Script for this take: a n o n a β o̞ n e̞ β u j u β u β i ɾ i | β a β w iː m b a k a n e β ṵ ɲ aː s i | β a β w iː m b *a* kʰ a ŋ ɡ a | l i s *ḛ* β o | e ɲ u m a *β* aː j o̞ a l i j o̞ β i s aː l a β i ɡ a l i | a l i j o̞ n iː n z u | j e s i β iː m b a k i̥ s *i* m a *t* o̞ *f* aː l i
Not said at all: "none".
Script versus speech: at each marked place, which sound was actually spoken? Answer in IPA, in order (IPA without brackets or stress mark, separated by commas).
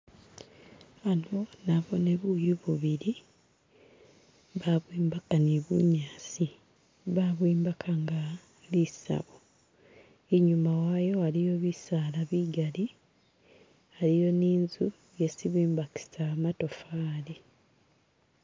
a, a̰, w, a, t, f